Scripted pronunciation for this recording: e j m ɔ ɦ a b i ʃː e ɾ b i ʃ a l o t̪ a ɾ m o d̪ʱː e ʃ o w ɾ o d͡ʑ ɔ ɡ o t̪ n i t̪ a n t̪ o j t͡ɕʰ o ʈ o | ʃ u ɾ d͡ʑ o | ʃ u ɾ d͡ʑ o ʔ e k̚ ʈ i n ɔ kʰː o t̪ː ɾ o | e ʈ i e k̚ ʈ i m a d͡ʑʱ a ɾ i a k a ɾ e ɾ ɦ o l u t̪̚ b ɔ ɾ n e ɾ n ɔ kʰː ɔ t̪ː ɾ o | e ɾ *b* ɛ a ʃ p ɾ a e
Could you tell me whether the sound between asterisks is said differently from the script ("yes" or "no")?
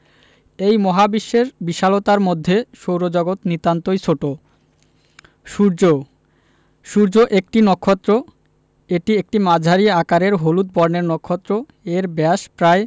no